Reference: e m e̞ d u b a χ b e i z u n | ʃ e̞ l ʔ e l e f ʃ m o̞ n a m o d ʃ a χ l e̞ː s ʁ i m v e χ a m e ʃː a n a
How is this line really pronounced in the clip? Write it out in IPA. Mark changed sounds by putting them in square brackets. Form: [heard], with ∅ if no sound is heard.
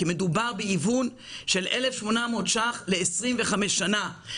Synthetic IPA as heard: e m e̞ d u b a [ʁ] b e i [v] u n | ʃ e̞ l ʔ e l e f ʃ m o̞ n a m o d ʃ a χ l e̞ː s ʁ i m v e χ a m e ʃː a n a